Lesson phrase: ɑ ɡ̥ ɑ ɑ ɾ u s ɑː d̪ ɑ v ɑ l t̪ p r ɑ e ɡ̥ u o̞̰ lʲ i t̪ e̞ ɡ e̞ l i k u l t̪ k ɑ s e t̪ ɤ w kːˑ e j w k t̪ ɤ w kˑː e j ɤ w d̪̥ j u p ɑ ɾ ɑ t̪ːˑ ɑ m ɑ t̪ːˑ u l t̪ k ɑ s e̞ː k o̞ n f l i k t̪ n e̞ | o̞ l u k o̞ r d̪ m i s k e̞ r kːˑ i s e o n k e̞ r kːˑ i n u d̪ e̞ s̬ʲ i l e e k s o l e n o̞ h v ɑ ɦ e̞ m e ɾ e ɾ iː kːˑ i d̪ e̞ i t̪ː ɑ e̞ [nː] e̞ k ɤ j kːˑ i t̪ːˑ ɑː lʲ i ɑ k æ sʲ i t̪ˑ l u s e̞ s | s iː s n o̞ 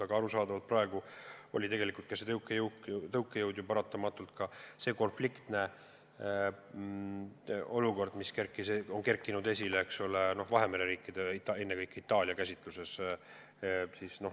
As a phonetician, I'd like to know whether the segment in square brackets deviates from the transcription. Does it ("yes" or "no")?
no